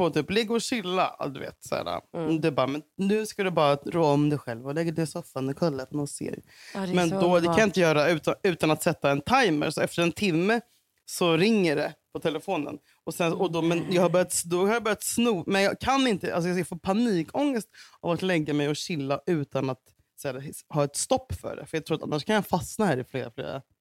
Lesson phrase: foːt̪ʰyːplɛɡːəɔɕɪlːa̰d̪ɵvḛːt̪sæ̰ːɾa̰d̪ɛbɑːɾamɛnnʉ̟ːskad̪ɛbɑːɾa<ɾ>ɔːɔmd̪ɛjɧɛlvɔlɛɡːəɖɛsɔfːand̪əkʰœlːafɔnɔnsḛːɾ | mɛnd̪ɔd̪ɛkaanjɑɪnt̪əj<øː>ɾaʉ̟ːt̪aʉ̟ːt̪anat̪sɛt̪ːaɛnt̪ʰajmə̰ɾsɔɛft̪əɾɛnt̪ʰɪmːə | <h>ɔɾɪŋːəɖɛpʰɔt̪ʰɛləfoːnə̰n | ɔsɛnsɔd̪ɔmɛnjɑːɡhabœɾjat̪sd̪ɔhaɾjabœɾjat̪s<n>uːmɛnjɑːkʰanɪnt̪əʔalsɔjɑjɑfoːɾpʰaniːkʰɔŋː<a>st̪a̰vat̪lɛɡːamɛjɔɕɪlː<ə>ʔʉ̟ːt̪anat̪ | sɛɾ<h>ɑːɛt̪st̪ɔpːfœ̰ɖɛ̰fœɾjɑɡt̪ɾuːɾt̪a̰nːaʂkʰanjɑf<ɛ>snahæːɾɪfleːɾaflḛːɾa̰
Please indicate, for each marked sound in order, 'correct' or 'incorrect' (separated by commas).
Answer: correct, incorrect, incorrect, correct, incorrect, incorrect, correct, incorrect